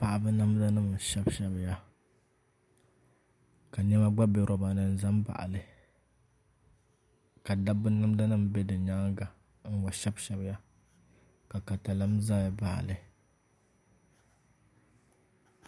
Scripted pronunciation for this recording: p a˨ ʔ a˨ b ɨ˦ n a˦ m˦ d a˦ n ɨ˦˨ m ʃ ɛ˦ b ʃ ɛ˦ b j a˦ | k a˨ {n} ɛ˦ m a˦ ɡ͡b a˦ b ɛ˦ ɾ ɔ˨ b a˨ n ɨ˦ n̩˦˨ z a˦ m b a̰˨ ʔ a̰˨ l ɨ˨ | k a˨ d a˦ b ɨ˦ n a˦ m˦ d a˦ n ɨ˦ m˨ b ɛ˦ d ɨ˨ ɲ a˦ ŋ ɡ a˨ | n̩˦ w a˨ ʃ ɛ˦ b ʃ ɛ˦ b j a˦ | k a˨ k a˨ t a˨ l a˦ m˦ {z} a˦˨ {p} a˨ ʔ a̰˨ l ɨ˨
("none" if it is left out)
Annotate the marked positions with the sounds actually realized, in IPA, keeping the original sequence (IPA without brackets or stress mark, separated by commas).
ɲ, z, b